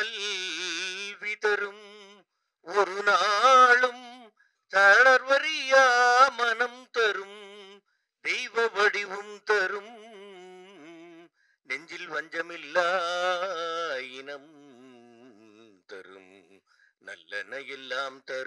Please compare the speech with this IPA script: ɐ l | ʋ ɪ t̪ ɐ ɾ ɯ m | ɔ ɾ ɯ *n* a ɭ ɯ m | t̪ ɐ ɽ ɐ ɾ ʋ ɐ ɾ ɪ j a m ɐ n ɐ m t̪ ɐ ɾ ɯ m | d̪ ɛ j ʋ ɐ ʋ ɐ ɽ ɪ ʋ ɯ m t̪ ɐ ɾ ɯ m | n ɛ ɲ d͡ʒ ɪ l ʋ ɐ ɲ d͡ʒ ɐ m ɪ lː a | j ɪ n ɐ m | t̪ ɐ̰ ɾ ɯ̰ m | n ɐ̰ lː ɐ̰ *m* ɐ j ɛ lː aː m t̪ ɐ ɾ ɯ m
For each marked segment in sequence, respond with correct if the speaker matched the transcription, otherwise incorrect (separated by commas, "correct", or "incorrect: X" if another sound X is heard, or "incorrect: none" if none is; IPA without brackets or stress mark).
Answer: correct, incorrect: n